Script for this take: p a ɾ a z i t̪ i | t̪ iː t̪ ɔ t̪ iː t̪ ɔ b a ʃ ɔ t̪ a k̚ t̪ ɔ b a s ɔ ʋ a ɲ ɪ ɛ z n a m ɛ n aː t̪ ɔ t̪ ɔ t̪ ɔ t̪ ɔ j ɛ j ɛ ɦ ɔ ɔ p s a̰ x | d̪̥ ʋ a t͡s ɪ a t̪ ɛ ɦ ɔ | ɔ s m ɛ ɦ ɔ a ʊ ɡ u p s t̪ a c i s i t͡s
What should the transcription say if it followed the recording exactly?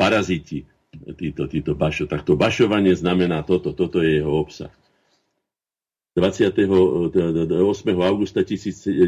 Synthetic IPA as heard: p a ɾ a z i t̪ i | t̪ iː t̪ ɔ t̪ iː t̪ ɔ b a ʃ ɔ t̪ a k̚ t̪ ɔ b a ʃ ɔ ʋ a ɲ ɪ ɛ z n a m ɛ n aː t̪ ɔ t̪ ɔ t̪ ɔ t̪ ɔ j ɛ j ɛ ɦ ɔ ɔ p s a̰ x | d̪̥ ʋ a t͡s ɪ a t̪ ɛ ɦ ɔ | ɔ s m ɛ ɦ ɔ a ʊ ɡ u s t̪ a c i s iː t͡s